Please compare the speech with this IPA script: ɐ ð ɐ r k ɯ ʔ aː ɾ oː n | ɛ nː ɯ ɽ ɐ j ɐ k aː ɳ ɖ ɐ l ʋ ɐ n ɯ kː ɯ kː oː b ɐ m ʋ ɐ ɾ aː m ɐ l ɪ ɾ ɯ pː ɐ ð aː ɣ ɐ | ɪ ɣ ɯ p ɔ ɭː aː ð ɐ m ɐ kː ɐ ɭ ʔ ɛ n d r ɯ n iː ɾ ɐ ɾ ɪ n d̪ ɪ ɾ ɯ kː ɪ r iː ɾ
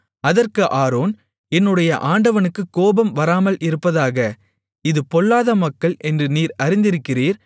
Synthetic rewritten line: ɐ ð ɐ r k ɯ ʔ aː ɾ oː n | ɛ nː ɯ ɽ ɐ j ɐ ʔ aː ɳ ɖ ɐ ʋ ɐ n ɯ kː ɯ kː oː b ɐ m ʋ ɐ ɾ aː m ɐ l ɪ ɾ ɯ pː ɐ ð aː ɣ ɐ | ɪ ð ɯ p ɔ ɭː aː ð ɐ m ɐ kː ɐ ɭ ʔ ɛ n d r ɯ n iː ɾ ɐ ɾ ɪ n d̪ ɪ ɾ ɯ kː ɪ r iː ɾ